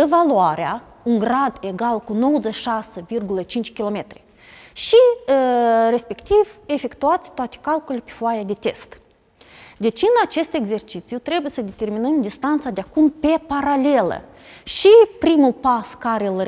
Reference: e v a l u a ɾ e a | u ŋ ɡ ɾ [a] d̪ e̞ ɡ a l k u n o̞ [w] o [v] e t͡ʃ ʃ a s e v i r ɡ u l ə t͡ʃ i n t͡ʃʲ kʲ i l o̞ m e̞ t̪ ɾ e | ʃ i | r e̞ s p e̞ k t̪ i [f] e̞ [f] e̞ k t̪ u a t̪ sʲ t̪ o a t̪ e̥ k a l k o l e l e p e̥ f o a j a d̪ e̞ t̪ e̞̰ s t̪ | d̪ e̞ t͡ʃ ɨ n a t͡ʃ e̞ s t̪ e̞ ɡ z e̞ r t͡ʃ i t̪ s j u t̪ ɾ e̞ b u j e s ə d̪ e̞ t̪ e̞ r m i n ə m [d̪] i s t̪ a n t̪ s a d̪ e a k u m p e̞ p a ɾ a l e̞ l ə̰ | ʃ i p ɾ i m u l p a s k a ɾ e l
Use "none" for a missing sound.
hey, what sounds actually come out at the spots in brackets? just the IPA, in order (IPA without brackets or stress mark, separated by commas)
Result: a, w, z, v, f, d̪